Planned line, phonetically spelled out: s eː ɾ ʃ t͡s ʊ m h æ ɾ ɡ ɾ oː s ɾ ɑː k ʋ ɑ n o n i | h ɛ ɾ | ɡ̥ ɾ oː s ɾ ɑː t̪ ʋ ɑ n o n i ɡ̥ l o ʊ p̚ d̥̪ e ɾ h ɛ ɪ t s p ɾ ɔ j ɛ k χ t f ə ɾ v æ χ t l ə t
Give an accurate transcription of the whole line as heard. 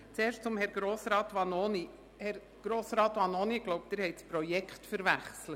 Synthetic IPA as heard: t͡s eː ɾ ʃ t͡s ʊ m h ɛ ɾ ɡ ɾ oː s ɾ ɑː t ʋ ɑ n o n i | h ɛ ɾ | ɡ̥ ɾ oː s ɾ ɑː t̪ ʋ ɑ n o n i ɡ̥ l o ʊ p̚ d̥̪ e ɾ h ɛ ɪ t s p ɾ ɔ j ɛ k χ t f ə ɾ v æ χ s l ə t